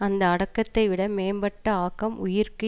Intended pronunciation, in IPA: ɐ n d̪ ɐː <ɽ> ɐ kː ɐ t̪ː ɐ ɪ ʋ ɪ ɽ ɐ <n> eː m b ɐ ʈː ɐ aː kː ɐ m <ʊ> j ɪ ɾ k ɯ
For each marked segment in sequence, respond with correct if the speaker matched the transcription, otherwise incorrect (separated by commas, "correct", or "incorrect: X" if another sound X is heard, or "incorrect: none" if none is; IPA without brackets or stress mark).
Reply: correct, incorrect: m, correct